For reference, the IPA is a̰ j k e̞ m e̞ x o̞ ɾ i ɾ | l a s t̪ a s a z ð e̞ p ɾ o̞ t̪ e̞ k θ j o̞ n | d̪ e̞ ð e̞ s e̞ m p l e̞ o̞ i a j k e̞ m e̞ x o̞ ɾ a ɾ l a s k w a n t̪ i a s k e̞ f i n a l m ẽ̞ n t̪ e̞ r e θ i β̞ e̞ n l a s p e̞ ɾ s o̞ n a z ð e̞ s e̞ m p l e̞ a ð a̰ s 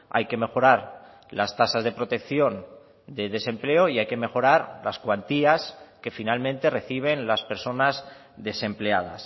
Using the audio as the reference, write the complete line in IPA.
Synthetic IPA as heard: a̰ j k e̞ m e̞ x o̞ ɾ a ɾ | l a s t̪ a s a z ð e̞ p ɾ o̞ t̪ e̞ k θ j o̞ n | d̪ e̞ ð e̞ s e̞ m p l e̞ o̞ i a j k e̞ m e̞ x o̞ ɾ a ɾ l a s k w a n t̪ i a s k e̞ f i n a l m ẽ̞ n t̪ e̞ r e θ i β̞ e̞ n l a s p e̞ ɾ s o̞ n a z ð e̞ s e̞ m p l e̞ a ð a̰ s